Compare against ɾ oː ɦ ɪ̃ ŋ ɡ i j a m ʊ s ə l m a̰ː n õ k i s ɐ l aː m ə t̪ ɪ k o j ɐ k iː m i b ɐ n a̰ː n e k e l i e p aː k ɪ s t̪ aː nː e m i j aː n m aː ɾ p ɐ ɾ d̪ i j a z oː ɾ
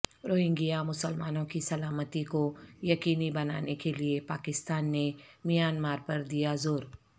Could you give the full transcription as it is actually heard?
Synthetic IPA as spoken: ɾ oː ɦ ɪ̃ ŋ ɡ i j a m ʊ s ə l m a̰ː n õ k i s ɐ l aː m ə t̪ i k o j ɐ k iː n i b ɐ n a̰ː n e k e l i e p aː k ɪ s t̪ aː nː e m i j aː n m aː ɾ p ɐ ɾ d̪ i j a z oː ɾ